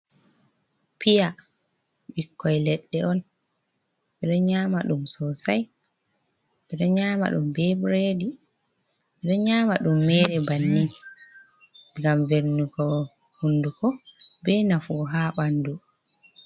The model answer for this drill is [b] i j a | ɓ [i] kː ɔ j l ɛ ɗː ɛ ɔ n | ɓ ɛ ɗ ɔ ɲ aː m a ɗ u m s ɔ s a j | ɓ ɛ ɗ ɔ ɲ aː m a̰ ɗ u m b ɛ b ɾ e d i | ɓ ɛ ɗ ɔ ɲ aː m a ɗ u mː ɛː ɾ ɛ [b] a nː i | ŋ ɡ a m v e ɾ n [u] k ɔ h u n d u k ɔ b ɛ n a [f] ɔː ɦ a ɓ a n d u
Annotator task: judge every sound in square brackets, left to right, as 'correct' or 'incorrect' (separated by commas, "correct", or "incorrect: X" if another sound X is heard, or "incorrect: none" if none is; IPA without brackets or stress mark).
incorrect: p, correct, correct, correct, correct